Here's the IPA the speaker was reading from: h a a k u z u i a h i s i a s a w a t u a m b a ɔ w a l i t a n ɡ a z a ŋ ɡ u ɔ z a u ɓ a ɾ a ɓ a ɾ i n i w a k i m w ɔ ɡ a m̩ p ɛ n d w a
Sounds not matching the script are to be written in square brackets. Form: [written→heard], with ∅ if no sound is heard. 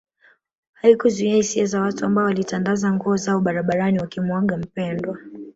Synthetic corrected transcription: h a [a→i] k u z u i a h i s i a [s→z] a w a t u a m b a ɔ w a l i t a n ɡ a z a ŋ ɡ u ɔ z a [u→ɔ] ɓ a ɾ a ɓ a ɾ [i→a] n i w a k i m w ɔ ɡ a m̩ p ɛ n d w a